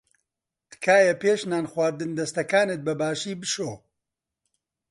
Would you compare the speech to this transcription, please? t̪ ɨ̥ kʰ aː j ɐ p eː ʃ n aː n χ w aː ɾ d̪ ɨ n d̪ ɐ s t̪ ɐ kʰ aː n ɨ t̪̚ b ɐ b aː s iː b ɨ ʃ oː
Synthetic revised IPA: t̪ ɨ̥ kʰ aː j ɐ p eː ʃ n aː n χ w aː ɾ d̪ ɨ n d̪ ɐ s t̪ ɐ k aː n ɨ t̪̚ b ɐ b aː ʃ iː b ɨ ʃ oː